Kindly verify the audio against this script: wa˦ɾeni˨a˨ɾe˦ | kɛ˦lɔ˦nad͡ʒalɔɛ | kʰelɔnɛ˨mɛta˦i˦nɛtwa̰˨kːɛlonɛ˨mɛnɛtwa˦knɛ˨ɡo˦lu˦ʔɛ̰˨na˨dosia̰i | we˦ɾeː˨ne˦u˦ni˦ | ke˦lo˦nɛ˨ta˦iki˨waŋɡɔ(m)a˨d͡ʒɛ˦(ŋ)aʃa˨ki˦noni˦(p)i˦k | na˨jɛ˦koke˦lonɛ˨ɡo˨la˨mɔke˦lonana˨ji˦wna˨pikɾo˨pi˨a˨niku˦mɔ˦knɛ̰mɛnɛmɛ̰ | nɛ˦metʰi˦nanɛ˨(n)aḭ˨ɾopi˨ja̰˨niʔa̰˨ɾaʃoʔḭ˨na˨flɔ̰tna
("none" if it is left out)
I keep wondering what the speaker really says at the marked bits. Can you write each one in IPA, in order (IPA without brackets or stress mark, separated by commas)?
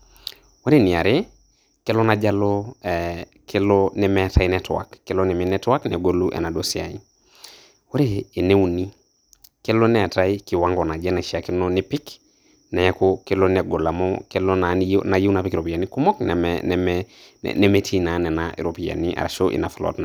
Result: n, n, p, n